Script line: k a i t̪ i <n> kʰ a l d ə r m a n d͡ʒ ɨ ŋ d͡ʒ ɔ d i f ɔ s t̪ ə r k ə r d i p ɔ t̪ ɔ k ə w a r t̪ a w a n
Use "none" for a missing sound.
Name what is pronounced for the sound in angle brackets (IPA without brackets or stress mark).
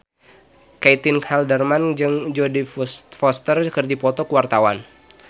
n